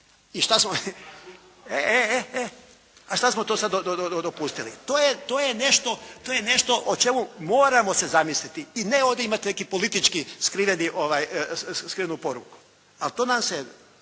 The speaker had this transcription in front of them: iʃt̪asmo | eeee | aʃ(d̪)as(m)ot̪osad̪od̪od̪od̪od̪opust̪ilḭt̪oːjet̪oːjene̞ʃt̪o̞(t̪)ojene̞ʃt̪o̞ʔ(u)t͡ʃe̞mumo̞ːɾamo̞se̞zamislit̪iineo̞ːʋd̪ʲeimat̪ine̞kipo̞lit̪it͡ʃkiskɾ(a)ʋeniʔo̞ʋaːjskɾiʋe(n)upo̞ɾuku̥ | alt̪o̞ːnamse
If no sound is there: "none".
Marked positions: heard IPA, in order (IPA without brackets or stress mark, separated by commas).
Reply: t̪, m, t̪, o, i, n